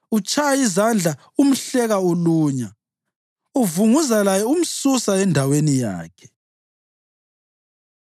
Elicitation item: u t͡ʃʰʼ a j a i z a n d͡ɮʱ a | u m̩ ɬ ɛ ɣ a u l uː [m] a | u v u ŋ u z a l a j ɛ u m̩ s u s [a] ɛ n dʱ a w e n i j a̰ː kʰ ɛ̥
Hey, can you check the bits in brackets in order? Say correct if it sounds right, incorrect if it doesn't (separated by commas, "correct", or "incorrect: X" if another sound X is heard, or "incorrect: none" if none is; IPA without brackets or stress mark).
incorrect: ɲ, correct